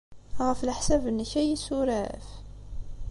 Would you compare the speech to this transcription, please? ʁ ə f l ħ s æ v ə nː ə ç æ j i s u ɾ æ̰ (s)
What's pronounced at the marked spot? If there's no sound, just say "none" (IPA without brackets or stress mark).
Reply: f